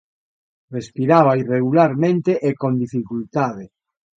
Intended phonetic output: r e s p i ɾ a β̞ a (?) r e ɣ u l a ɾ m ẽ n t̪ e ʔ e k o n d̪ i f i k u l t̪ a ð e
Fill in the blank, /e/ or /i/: i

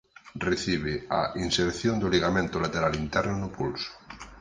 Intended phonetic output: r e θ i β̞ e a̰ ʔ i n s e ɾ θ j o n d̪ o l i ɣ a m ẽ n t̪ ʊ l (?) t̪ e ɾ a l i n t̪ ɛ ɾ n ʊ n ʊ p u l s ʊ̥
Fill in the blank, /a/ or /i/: a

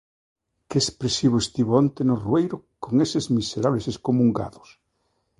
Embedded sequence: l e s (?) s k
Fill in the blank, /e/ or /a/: e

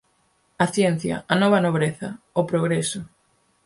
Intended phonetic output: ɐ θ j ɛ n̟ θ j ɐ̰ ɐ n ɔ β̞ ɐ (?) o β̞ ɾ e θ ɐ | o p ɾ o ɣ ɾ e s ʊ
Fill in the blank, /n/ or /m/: n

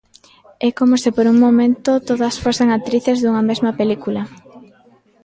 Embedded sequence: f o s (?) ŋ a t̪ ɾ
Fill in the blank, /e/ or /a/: e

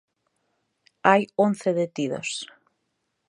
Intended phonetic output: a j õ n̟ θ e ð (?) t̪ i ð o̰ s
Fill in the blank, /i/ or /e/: e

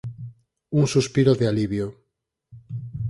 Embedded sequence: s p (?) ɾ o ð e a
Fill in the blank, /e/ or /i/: i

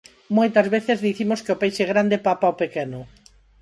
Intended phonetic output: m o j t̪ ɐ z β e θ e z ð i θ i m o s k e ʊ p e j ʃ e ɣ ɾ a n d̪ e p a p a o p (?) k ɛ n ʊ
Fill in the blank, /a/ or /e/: e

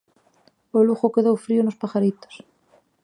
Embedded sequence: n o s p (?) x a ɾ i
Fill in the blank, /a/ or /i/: a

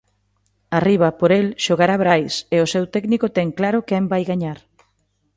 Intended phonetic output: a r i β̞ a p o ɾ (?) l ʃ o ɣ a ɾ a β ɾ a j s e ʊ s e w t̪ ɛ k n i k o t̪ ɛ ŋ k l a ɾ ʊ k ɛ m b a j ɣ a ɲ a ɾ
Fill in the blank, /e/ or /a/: e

